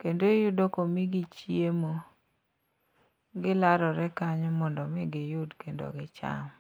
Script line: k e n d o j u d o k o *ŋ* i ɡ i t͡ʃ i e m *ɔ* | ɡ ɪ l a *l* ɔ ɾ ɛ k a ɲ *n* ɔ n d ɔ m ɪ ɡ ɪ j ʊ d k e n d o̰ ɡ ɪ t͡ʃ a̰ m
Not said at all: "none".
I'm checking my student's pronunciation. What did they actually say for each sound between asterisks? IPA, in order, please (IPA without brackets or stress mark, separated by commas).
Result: m, o, ɾ, m